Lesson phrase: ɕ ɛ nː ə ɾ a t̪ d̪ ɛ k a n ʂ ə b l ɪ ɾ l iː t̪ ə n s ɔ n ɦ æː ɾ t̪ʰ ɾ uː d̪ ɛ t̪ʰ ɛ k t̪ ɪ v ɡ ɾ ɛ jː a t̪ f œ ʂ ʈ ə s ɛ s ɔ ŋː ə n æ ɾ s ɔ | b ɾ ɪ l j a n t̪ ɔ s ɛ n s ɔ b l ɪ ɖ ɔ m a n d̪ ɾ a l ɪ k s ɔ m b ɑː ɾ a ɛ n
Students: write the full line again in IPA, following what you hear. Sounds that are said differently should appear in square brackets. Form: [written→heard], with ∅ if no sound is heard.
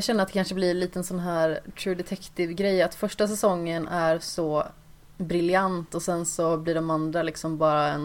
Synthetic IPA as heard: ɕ ɛ nː ə ɾ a t̪ d̪ ɛ k a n ʂ ə b l ɪ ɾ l iː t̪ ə n s ɔ n ɦ æː ɾ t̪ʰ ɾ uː d̪ ɛ t̪ʰ ɛ k t̪ ɪ v ɡ ɾ ɛ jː a t̪ f œ ʂ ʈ [ə→a] s ɛ s ɔ ŋː ə n æ ɾ s ɔ | b ɾ ɪ l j a n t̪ ɔ s ɛ n s ɔ b l ɪ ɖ ɔ m a n d̪ ɾ a l ɪ k s ɔ m b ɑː ɾ a ɛ n